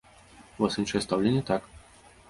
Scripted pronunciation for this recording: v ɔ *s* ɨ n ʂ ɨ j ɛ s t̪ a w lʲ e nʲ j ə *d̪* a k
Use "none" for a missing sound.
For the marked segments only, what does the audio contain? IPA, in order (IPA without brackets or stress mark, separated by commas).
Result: s, t̪